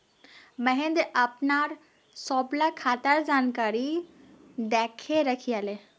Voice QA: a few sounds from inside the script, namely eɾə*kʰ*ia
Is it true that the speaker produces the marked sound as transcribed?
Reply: yes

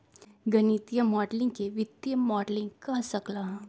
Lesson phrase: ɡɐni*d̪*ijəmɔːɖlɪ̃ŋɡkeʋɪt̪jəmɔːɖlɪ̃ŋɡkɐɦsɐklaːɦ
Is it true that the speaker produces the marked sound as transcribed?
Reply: no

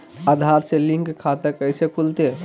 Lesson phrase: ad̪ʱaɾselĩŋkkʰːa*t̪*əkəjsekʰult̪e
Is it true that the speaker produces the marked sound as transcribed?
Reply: yes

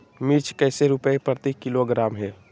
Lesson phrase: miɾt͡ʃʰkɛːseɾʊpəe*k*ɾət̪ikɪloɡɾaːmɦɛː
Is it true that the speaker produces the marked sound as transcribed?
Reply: no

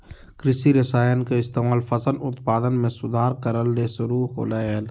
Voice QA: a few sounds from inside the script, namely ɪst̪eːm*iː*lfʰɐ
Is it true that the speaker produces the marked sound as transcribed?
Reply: no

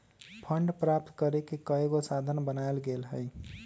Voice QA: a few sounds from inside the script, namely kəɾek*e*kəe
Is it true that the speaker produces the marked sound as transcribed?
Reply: yes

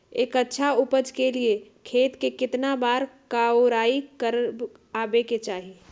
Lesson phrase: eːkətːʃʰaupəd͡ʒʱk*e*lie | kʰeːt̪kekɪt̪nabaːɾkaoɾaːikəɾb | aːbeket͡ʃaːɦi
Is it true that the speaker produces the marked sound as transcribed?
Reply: yes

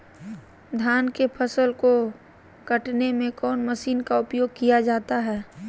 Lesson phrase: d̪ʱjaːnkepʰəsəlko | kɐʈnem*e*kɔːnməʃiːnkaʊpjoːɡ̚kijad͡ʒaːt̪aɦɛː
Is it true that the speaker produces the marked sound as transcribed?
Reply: no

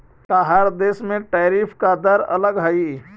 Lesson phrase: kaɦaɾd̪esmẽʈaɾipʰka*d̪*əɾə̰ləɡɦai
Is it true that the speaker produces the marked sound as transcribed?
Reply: yes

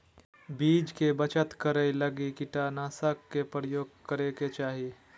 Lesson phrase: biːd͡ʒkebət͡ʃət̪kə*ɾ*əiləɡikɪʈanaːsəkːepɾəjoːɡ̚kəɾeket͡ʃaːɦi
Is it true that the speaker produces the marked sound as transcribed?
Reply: yes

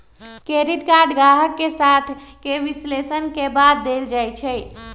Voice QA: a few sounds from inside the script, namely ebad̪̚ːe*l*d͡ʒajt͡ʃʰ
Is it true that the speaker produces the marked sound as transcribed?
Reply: yes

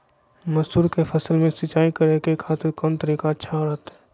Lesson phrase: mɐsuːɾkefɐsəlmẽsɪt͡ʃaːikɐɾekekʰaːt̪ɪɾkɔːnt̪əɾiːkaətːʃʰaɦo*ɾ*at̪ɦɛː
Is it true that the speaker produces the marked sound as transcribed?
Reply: yes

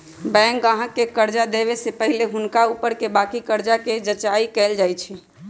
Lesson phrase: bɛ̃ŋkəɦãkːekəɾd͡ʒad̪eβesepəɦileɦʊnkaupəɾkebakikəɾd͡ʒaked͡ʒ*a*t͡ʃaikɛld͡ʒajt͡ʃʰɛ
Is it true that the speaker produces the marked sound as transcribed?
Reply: no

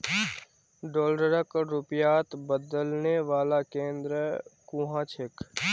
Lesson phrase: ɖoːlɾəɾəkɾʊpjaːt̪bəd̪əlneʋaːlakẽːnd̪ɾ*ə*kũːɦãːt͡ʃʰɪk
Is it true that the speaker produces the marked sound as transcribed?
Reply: yes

